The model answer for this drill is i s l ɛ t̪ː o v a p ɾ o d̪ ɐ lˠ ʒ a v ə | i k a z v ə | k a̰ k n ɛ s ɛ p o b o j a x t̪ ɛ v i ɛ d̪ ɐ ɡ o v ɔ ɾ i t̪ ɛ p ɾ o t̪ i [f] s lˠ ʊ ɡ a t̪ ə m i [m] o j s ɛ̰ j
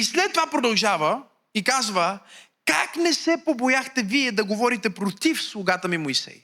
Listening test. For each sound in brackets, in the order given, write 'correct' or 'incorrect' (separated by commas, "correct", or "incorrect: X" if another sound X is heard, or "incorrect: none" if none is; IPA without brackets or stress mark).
correct, correct